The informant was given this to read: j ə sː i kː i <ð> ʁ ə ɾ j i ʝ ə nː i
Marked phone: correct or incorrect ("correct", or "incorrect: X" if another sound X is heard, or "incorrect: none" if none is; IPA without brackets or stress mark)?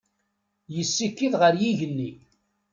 correct